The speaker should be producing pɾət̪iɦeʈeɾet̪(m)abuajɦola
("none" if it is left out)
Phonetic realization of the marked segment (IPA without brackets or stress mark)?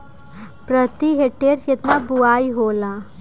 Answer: n